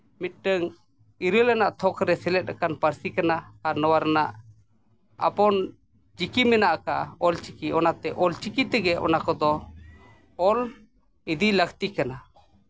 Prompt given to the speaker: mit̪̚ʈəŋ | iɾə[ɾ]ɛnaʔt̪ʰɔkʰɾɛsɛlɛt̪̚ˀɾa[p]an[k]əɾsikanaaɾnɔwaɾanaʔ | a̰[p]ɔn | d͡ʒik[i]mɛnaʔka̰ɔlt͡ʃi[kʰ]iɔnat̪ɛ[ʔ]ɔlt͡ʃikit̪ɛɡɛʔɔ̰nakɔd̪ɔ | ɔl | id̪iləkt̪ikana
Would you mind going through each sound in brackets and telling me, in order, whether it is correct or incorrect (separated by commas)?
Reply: incorrect, incorrect, incorrect, correct, correct, incorrect, correct